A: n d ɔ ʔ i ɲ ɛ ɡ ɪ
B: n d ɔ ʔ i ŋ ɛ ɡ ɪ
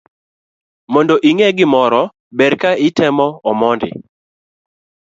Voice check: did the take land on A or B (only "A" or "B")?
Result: B